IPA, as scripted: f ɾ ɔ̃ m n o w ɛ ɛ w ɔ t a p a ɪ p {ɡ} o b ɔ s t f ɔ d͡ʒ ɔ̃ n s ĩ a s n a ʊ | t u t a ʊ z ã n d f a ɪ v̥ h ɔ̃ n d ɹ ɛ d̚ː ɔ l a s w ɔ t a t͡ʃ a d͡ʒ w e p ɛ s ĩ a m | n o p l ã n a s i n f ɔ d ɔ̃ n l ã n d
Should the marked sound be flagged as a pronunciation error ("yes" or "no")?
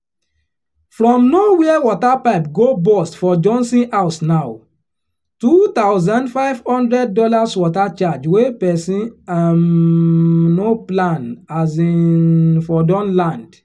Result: no